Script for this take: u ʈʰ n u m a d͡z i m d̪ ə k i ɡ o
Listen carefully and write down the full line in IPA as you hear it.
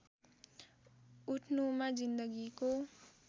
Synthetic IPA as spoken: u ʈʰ n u m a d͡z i n d̪ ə ɡ i k o